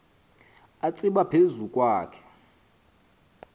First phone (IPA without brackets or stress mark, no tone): a